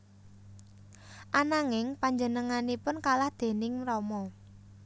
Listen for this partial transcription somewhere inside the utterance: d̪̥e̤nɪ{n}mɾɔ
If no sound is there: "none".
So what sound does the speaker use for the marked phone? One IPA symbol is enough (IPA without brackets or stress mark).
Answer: ŋ